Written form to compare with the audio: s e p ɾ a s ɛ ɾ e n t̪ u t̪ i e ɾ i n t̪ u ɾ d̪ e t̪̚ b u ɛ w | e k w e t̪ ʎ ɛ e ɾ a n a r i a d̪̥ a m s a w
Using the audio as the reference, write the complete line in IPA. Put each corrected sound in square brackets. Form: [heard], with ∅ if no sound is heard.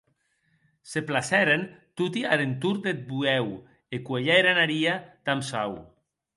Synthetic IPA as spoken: s e p [l] a s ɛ ɾ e n t̪ u t̪ i [a] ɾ [e] n t̪ u ɾ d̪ e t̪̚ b u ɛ w | e k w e [∅] ʎ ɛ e ɾ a n a [ɾ] i a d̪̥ a m s a w